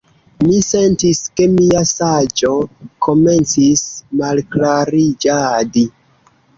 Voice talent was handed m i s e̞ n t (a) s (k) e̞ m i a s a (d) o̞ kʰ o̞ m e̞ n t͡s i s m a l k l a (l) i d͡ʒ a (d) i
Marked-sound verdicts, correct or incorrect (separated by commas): incorrect, correct, incorrect, incorrect, correct